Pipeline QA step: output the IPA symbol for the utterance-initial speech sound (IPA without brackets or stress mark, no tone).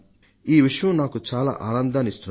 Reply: iː